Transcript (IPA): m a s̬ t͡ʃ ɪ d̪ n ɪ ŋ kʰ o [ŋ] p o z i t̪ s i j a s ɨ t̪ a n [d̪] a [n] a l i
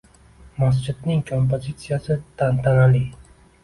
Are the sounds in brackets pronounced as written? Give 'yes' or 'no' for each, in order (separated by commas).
no, no, yes